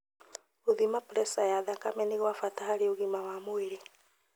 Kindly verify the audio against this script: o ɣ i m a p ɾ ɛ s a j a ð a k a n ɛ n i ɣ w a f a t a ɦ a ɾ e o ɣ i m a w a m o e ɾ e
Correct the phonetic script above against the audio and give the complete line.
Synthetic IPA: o ð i m a p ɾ ɛ s a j a ð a k a m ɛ n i ɣ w a f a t a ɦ a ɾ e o ɣ i m a w a m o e ɾ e